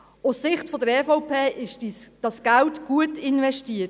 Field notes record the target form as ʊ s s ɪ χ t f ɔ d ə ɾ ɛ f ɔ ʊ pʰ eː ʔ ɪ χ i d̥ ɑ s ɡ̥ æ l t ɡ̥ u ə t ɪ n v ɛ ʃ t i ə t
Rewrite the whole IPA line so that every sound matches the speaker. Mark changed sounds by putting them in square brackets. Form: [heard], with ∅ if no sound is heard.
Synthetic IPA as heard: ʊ s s ɪ χ t f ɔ d ə ɾ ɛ f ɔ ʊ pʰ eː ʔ ɪ [ʃ] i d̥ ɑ s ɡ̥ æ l t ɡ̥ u ə t ɪ n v ɛ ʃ t i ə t